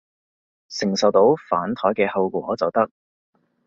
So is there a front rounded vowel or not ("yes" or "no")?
no